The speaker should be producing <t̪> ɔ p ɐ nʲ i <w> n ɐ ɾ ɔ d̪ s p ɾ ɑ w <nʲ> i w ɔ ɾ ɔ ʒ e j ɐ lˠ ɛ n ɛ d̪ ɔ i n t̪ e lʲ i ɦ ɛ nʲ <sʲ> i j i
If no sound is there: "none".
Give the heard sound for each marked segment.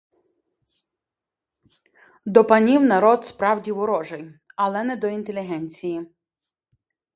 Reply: d̪, w, dʲ, t͡sʲ

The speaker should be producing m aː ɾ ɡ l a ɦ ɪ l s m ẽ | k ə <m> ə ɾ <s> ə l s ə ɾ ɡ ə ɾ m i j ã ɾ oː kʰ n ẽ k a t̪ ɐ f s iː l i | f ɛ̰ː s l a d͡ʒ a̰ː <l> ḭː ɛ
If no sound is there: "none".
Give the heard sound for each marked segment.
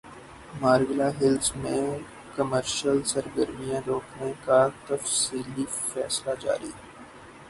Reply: m, ʃ, ɾ

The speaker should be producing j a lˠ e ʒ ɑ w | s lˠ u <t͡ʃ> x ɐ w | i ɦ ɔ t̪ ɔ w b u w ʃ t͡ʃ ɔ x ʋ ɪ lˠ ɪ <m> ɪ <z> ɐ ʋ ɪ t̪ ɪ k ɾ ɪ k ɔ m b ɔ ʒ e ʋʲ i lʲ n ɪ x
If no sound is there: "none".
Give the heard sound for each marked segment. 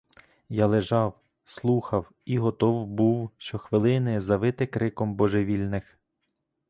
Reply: none, n, z

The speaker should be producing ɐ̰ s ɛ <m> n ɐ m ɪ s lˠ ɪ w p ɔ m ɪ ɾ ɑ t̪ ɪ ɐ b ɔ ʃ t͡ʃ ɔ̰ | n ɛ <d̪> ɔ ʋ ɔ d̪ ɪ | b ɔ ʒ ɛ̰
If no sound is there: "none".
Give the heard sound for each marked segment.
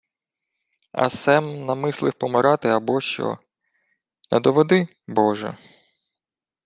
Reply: m, d̪

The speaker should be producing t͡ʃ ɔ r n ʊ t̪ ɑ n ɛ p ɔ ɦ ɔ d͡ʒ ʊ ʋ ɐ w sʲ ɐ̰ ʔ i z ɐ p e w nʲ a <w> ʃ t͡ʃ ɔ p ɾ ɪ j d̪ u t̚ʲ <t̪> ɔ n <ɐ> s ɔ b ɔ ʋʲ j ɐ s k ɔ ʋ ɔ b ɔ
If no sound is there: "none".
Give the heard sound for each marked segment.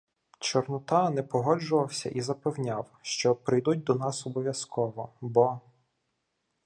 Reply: w, d̪, ɑ

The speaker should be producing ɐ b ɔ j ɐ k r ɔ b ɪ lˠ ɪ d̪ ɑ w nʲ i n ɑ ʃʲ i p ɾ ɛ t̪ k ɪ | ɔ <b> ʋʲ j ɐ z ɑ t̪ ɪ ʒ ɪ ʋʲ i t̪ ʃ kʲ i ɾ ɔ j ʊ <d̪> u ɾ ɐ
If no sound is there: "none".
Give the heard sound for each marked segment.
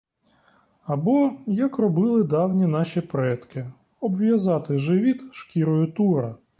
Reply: b, t̪

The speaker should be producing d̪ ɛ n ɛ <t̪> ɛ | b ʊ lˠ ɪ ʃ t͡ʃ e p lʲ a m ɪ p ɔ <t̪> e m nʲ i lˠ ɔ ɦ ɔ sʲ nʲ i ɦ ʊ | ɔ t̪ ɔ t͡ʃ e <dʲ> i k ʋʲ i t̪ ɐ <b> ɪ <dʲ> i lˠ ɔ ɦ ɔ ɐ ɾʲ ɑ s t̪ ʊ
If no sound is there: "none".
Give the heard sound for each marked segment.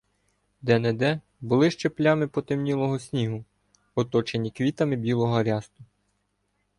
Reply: d̪, t̪, nʲ, m, bʲ

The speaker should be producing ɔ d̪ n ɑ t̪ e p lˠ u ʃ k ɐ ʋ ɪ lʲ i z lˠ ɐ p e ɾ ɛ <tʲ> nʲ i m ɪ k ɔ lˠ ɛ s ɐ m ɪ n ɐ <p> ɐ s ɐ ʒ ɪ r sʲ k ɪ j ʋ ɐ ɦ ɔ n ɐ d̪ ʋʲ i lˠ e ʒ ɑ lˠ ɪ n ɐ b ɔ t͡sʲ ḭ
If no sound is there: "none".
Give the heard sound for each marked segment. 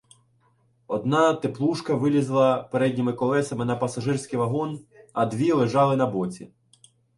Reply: dʲ, p

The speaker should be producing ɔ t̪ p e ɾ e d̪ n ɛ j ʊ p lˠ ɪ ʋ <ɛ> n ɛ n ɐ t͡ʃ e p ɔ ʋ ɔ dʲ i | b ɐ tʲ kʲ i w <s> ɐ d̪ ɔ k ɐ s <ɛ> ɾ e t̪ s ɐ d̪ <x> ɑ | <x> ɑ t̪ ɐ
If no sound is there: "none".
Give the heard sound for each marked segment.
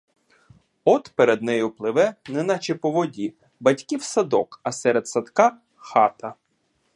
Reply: ɛ, s, ɛ, k, x

